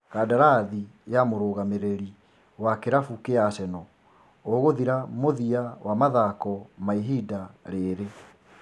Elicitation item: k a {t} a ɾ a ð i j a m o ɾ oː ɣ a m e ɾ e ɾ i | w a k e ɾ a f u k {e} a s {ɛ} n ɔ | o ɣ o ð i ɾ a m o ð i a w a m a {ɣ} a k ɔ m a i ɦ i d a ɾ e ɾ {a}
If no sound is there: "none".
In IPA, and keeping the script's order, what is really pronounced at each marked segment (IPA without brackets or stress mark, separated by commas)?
d, e, ɛ, ð, e